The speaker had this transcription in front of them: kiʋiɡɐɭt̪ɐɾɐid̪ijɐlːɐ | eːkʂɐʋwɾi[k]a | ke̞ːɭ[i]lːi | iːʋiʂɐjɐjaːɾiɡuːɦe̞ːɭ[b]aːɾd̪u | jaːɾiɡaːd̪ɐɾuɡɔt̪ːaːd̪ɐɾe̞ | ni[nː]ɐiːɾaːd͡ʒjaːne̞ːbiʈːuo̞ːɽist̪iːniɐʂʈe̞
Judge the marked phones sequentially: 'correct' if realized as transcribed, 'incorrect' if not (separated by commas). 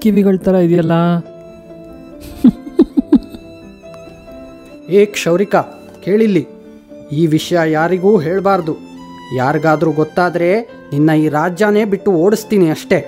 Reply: correct, correct, correct, correct